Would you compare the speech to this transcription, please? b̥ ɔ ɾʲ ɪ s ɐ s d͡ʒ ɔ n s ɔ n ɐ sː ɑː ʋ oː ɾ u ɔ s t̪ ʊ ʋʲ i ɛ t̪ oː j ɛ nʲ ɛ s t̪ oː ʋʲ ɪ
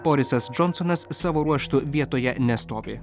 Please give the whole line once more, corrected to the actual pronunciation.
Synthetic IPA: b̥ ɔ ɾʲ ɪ s ɐ s d͡ʒ ɔ n s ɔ n ɐ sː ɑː ʋ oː ɾ u ɔ ʃ t̪ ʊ ʋʲ i ɛ t̪ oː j ɛ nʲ ɛ s t̪ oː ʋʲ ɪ